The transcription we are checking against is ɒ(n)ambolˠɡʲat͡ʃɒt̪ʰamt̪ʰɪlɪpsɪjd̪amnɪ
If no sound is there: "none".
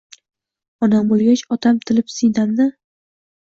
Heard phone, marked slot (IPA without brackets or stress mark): n